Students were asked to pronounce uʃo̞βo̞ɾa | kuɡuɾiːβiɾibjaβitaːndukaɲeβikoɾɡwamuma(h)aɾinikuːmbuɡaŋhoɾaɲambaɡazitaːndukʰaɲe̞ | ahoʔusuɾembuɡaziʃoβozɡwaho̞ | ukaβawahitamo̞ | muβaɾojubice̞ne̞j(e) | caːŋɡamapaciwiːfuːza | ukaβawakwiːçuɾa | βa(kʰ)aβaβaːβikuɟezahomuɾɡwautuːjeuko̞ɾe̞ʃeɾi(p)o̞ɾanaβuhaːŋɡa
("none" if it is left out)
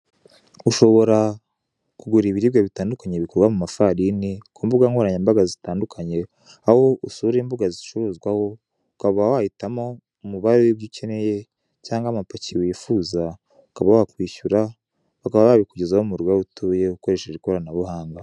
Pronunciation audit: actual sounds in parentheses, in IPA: f, e, k, k

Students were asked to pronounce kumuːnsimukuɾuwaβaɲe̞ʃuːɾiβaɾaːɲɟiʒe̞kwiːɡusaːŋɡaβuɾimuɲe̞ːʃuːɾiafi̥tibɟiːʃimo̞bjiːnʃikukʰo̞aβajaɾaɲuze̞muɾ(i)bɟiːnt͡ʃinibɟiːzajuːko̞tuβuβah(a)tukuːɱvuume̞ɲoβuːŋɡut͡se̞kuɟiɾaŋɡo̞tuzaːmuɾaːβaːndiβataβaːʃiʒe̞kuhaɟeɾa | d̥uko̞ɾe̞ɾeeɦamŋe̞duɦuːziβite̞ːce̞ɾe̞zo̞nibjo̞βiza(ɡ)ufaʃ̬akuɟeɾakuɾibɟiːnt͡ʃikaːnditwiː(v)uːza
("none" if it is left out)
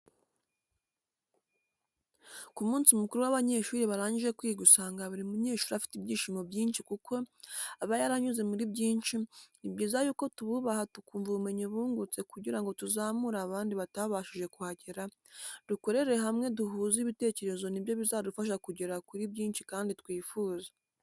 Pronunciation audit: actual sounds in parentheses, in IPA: i, a, d, f

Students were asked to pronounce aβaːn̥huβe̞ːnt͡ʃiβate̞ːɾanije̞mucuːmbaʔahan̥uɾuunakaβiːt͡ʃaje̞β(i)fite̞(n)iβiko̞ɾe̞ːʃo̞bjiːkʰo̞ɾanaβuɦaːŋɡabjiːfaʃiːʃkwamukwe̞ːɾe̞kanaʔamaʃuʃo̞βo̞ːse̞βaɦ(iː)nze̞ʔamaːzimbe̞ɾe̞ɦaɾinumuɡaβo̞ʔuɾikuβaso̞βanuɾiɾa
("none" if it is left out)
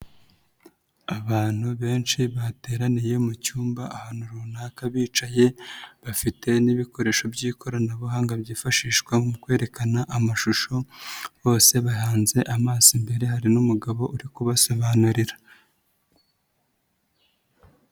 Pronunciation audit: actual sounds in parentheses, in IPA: a, n, aː

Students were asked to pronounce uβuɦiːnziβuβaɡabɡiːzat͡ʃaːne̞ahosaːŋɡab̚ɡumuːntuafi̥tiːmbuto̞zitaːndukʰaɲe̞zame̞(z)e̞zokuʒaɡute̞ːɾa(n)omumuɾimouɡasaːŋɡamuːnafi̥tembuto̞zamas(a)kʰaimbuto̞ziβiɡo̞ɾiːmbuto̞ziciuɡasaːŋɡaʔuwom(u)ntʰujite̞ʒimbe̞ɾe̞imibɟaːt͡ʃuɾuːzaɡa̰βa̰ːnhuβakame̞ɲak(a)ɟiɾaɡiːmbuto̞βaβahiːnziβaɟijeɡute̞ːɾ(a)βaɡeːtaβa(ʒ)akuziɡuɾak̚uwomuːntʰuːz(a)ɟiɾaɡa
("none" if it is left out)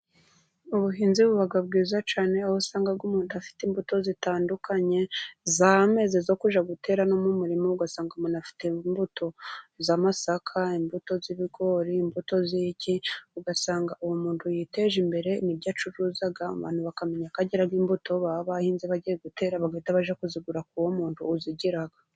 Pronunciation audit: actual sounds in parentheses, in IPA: z, n, a, uː, a, a, ʒ, i

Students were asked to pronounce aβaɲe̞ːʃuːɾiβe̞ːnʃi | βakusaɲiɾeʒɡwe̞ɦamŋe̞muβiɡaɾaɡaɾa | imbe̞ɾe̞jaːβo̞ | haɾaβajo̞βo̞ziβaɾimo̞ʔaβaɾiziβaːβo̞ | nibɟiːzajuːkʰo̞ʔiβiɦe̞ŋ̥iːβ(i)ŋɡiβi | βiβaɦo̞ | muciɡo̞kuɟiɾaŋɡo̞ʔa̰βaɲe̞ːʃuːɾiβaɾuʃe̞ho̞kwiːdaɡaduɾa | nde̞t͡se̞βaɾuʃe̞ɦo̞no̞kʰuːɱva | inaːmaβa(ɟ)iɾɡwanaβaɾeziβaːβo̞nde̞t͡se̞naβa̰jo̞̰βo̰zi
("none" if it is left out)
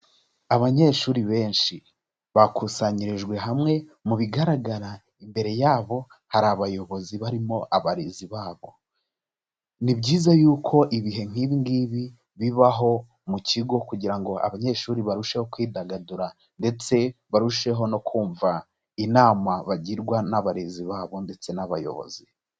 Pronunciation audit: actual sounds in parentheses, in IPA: i, ɟ

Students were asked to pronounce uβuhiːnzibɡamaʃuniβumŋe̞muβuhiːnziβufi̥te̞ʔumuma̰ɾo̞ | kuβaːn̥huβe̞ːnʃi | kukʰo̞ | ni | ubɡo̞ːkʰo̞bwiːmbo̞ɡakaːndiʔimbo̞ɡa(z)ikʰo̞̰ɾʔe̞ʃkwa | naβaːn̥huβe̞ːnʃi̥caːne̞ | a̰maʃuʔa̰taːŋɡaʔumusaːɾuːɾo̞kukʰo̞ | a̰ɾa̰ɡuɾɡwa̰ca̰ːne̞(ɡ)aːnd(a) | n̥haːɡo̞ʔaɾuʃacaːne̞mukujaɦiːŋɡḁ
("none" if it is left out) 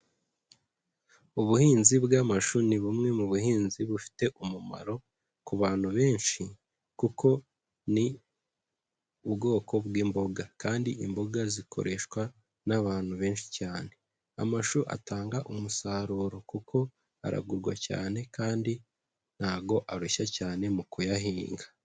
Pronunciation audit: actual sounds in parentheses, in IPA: z, k, i

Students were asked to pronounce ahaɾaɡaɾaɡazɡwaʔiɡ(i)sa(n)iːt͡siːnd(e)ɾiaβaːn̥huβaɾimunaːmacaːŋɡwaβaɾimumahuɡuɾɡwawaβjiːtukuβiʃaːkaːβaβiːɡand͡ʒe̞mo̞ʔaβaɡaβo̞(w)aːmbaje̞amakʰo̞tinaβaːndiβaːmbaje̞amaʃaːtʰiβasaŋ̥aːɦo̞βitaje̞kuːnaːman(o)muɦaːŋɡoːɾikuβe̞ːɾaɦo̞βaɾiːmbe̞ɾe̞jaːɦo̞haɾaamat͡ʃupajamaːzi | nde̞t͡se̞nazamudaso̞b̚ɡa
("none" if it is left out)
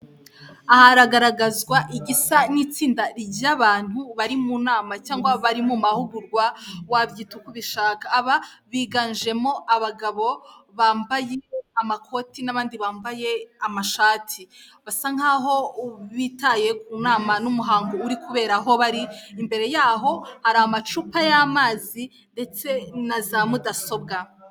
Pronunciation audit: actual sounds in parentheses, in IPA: i, n, a, β, u

